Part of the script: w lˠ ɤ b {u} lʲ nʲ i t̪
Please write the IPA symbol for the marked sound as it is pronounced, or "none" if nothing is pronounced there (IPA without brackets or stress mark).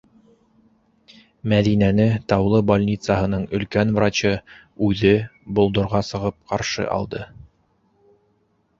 o